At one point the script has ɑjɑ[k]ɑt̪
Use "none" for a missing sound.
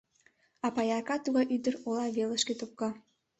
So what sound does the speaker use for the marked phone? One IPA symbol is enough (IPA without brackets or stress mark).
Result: k